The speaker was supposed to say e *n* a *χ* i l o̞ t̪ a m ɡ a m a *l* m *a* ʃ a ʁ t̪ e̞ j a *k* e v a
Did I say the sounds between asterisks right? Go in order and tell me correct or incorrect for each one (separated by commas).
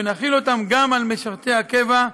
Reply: correct, correct, correct, incorrect, correct